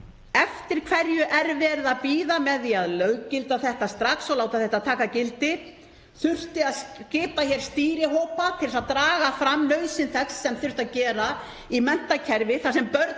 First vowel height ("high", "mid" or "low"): mid